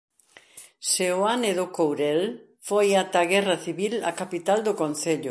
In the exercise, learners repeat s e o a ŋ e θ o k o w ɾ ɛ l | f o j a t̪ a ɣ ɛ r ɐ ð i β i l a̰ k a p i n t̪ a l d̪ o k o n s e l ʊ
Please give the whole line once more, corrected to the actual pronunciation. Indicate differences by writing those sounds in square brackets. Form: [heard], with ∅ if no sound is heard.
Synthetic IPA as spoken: s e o a [n] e [ð] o k o w ɾ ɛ l | f o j a t̪ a ɣ ɛ r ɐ [θ] i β i l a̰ k a p i [∅] t̪ a l d̪ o k o n [θ] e [ʎ] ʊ